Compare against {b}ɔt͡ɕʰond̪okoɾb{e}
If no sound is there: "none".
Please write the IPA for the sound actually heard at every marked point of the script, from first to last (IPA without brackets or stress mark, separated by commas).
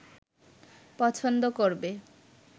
p, e